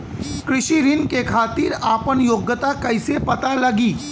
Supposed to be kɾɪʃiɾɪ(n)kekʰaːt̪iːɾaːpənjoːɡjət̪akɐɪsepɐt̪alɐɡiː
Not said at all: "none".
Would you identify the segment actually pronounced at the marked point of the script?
n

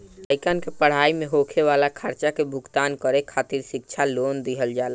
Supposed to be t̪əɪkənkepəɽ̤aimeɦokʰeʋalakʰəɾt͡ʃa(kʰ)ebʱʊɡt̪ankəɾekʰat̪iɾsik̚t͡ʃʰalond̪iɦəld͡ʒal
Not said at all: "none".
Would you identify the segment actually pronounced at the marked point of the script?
k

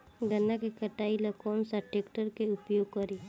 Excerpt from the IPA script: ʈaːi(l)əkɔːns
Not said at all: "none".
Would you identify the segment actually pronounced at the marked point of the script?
l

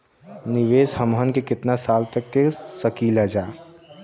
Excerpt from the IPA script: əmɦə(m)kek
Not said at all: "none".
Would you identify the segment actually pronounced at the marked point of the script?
n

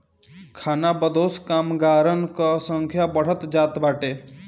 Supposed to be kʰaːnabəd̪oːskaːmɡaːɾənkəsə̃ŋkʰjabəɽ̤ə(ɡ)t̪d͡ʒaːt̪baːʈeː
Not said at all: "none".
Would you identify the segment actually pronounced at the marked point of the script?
none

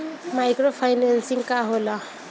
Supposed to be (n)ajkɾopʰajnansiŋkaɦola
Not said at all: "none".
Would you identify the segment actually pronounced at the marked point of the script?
m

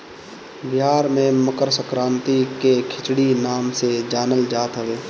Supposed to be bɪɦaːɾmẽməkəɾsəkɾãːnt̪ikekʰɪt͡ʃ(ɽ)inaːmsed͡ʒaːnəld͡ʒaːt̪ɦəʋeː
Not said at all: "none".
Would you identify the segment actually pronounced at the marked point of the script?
ɽ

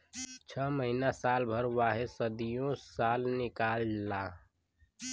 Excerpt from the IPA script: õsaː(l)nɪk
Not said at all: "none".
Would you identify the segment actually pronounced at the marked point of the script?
l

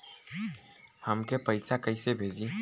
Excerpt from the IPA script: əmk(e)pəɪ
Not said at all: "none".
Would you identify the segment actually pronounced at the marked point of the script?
e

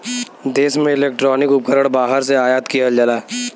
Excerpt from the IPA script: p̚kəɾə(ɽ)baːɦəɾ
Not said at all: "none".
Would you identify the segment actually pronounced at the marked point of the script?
ɽ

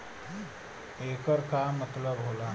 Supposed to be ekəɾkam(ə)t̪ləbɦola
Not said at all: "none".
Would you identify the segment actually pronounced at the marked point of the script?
ə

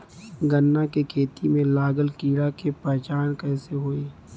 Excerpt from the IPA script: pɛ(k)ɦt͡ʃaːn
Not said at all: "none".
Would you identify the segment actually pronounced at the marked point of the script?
none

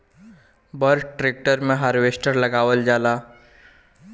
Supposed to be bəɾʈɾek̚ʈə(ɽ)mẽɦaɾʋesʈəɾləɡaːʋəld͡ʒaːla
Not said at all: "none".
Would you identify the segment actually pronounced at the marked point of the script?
ɾ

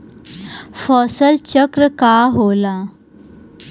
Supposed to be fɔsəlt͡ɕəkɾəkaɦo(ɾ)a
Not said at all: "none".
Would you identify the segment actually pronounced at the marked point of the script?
l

